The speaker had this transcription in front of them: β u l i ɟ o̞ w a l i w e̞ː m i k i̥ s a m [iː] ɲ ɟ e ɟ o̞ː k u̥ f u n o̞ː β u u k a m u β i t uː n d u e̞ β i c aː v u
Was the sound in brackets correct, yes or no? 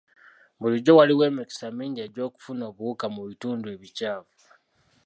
yes